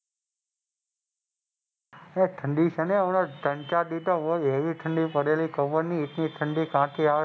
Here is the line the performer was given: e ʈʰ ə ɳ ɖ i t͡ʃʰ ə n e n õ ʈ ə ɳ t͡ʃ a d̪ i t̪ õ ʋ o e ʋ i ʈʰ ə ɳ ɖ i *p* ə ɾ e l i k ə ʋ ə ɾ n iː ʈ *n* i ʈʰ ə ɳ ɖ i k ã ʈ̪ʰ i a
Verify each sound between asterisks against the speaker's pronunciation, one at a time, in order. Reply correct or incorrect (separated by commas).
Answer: correct, correct